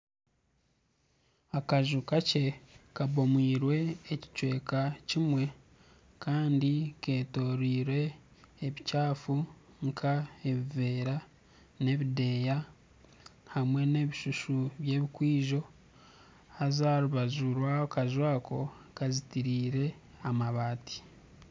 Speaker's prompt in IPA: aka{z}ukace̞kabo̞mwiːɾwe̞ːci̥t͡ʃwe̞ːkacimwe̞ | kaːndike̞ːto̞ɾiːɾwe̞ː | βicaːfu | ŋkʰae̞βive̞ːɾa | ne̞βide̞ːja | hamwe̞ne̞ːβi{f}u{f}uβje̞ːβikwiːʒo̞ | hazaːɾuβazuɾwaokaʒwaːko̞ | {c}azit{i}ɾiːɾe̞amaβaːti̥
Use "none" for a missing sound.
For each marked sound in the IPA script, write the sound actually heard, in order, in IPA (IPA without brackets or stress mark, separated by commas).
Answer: ʒ, ʃ, ʃ, k, i